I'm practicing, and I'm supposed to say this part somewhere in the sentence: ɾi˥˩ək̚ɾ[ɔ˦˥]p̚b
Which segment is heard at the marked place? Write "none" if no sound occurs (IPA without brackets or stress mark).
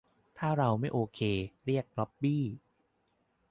ɔ˦˥